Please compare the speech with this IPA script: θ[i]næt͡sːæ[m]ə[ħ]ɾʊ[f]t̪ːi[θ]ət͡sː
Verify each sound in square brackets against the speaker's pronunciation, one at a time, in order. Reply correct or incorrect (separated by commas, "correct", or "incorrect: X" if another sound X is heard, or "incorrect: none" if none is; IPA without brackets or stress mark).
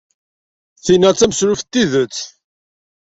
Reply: correct, correct, incorrect: s, correct, incorrect: ð